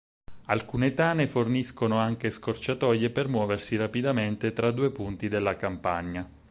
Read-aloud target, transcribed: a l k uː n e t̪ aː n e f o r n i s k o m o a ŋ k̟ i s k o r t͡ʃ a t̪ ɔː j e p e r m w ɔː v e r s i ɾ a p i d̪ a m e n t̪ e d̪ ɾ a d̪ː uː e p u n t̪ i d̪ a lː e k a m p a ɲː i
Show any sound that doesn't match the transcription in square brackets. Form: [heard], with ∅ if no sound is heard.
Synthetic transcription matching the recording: a l k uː n e t̪ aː n e f o r n i s k o [n] o a ŋ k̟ [e] s k o r t͡ʃ a t̪ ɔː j e p e r m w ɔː v e r s i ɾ a p i d̪ a m e n t̪ e [t̪] ɾ a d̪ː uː e p u n t̪ i d̪ [e] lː [a] k a m p a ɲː [a]